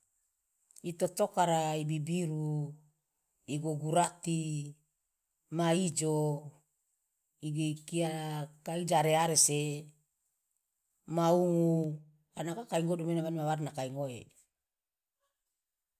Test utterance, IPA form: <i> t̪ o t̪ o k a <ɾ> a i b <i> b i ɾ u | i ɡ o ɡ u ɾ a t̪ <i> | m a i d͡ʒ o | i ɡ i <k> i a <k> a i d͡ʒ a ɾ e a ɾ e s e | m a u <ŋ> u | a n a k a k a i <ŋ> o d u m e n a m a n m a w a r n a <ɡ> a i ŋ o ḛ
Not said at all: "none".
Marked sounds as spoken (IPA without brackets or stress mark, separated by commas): i, ɾ, i, i, k, k, ŋ, ŋ, k